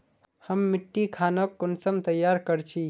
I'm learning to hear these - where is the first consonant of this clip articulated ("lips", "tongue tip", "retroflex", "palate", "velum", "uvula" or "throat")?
throat